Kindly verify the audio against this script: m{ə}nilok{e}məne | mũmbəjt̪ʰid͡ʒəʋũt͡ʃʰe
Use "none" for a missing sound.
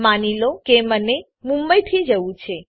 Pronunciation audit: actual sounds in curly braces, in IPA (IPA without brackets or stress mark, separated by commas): a, e